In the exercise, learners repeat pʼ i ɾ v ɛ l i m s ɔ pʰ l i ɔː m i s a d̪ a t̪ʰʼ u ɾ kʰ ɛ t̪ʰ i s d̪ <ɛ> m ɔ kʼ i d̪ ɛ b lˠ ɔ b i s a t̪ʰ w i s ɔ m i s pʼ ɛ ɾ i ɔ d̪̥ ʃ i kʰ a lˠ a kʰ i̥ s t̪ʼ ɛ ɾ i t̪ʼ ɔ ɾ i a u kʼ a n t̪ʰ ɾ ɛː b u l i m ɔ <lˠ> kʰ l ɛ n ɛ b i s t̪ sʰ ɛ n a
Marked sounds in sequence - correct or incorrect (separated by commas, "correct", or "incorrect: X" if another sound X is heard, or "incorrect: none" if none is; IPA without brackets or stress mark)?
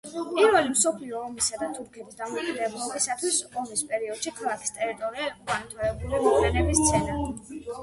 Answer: incorrect: a, incorrect: none